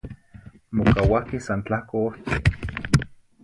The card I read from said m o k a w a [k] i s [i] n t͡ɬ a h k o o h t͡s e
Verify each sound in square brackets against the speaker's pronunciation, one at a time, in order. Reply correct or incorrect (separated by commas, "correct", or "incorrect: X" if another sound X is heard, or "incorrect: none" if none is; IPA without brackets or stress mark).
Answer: correct, incorrect: a